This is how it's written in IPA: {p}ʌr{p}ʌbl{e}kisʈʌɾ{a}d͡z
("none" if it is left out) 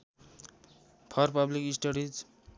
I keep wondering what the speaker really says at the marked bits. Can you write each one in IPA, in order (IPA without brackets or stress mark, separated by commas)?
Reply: pʰ, p, i, i